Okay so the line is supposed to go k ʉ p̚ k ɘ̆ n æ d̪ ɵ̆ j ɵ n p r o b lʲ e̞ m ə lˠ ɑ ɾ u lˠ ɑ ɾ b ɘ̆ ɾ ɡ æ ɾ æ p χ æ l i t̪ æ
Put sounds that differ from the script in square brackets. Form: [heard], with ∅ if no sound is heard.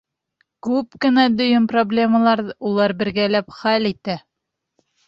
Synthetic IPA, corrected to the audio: k ʉ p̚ k ɘ̆ n æ d̪ ɵ̆ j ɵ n p r o b lʲ e̞ m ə lˠ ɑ ɾ u lˠ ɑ ɾ b ɘ̆ ɾ ɡ æ [l] æ p χ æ l i t̪ æ